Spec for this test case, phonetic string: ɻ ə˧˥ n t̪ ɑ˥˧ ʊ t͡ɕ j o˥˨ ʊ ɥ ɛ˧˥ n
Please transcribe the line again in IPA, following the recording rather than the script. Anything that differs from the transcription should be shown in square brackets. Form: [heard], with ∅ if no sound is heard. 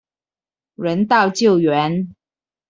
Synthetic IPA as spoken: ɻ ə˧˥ n t̪ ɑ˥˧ ʊ t͡ɕ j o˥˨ ʊ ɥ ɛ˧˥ n